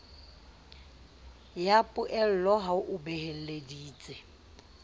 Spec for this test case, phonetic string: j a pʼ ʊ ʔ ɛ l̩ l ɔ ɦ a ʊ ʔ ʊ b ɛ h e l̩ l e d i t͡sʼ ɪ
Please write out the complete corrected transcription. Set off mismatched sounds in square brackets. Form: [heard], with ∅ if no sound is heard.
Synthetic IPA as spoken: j a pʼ ʊ ʔ ɛ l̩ l ɔ ɦ a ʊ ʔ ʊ b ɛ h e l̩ l e d [iː] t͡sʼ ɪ

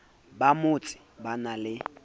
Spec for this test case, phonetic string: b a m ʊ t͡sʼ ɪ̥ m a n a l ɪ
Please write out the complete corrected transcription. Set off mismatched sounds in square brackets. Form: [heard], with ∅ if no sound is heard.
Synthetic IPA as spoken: b a m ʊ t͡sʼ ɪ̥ [b] a n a l ɪ

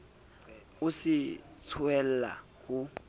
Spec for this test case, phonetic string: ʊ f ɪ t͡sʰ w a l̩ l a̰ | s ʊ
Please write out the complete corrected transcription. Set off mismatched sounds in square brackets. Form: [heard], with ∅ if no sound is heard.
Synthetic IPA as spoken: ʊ [s] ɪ t͡sʰ w [ɛ] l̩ l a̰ | [h] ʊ

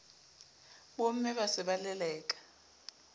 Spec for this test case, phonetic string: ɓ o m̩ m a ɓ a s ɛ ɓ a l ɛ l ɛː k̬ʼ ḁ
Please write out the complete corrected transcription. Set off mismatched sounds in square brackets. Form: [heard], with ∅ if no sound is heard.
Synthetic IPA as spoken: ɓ o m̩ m [ɛ] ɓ a s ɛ ɓ a l ɛ l ɛː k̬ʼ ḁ

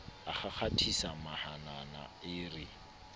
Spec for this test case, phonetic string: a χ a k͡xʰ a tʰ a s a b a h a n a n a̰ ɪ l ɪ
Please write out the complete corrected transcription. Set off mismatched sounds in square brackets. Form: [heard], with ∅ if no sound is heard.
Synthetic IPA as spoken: a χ a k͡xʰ a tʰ [i] s a [m] a h a n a n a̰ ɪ [r] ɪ

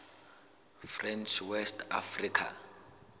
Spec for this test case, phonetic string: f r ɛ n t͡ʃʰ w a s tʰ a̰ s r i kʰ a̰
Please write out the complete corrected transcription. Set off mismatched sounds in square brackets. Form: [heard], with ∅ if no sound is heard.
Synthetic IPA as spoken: f r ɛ n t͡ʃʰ w [ɛ] s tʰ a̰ [f] r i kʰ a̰

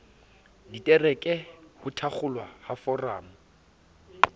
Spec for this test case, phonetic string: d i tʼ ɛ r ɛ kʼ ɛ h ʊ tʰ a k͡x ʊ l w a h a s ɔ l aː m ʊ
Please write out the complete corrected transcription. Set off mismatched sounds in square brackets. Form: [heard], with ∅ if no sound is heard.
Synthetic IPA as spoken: d i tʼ ɛ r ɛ kʼ ɛ h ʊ tʰ a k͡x ʊ l w a h a [f] ɔ [r] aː m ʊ

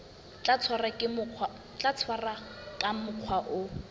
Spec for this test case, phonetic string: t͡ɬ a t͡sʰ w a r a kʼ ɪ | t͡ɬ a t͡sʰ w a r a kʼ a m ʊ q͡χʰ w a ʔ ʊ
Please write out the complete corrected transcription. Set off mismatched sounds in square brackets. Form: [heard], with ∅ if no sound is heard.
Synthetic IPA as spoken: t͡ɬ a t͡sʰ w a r a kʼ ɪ | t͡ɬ a t͡sʰ w a r a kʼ a m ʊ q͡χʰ w a ʔ ʊ

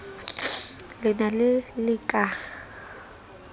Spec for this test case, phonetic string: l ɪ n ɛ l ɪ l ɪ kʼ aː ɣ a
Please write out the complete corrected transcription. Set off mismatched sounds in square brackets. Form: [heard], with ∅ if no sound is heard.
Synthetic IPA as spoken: l ɪ n [a] l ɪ l ɪ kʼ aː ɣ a

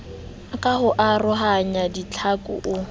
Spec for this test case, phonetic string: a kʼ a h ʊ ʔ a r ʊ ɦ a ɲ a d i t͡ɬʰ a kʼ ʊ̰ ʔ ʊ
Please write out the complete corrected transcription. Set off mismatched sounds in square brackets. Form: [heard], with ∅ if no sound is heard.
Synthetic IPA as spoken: a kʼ a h ʊ ʔ a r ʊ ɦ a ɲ a d i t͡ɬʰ a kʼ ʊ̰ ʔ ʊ

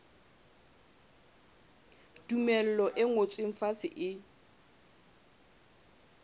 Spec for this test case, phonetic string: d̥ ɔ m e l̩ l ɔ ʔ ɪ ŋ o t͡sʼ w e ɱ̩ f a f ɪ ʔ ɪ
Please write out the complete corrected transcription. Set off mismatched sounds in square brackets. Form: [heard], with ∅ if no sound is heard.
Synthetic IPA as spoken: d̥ [u] m [ɛ] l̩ l ɔ ʔ ɪ ŋ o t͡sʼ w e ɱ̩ f a [s] ɪ ʔ ɪ

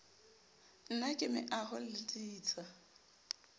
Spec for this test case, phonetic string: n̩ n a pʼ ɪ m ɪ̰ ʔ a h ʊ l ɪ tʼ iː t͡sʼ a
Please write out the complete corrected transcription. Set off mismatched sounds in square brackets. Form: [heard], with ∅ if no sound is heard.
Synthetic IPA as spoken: n̩ n a [kʼ] ɪ m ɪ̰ ʔ a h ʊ l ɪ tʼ iː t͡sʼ a

